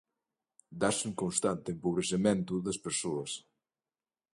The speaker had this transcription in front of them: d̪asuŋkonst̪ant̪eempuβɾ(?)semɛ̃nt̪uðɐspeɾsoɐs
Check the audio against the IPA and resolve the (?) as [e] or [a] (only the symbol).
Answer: e